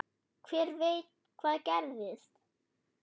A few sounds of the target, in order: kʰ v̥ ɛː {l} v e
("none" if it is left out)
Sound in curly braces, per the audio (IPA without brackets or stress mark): ɾ